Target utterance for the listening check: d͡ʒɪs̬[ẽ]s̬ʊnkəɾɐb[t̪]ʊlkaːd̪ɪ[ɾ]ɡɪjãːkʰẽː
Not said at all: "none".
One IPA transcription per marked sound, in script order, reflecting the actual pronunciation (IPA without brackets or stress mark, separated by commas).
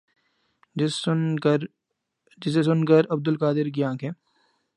e, d̪, ɾ